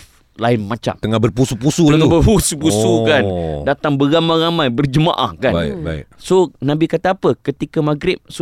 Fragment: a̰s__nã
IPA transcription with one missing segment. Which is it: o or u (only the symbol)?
o